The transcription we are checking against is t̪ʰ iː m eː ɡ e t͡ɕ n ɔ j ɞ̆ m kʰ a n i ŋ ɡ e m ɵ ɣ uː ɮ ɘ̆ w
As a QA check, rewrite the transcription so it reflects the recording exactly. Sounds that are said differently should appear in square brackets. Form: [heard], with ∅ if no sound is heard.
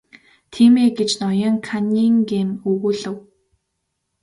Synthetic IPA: t̪ʰ iː m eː ɡ e t͡ɕ n ɔ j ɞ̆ [ŋ] kʰ a n i ŋ ɡ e m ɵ ɣ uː ɮ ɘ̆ w

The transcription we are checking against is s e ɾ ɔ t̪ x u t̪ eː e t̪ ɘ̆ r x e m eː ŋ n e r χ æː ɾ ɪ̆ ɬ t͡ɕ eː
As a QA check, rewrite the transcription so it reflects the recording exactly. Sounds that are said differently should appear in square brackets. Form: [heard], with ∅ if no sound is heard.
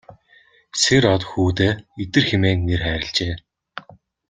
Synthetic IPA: s e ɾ ɔ t̪ x [uː] t̪ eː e t̪ ɘ̆ r x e m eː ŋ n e r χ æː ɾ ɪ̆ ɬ t͡ɕ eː

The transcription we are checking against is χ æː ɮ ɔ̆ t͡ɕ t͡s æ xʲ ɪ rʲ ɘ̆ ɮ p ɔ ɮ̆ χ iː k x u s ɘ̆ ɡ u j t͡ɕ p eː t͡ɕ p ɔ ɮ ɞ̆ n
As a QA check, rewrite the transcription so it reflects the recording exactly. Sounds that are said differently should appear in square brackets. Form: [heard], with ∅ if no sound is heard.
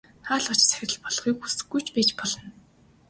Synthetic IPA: χ [aː] ɮ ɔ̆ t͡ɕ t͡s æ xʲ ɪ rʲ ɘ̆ ɮ p ɔ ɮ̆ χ iː k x u s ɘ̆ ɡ u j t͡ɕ p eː t͡ɕ p ɔ ɮ ɞ̆ n

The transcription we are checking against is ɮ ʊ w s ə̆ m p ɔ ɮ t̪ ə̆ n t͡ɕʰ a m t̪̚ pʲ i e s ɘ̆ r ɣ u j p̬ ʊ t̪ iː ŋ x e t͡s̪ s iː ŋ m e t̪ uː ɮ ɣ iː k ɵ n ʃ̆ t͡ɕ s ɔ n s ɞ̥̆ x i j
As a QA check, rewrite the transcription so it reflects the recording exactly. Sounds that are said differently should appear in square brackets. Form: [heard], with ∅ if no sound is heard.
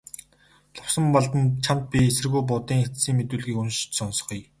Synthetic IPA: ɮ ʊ w s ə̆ m p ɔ ɮ t̪ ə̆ n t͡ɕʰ a m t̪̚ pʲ i e s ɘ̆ r ɣ u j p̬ ʊ t̪ iː ŋ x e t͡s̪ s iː ŋ m e t̪ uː ɮ ɣ iː k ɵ n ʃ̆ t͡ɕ s ɔ n s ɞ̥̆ [χ] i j

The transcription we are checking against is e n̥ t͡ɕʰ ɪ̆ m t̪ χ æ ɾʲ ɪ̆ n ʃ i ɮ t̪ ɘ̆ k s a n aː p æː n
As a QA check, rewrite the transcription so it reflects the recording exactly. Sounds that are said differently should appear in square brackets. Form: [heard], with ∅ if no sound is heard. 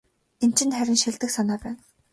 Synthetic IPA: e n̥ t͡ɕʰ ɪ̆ [n] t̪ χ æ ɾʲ ɪ̆ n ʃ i ɮ t̪ ɘ̆ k s a n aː p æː n

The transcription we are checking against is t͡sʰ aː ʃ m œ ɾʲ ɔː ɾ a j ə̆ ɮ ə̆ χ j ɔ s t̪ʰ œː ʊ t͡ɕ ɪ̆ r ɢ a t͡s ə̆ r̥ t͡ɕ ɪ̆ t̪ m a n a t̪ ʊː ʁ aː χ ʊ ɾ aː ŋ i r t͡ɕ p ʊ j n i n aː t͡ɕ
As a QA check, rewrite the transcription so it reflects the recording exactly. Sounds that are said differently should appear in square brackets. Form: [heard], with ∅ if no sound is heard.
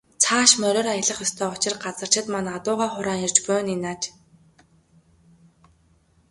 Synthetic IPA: t͡sʰ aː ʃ m œ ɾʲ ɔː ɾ a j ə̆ ɮ ə̆ χ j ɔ s t̪ʰ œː ʊ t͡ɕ ɪ̆ r ɢ a t͡s ə̆ r̥ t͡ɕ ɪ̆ t̪ m a n a t̪ ʊː ʁ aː χ ʊ ɾ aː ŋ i r t͡ɕ p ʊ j n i n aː t͡ɕ

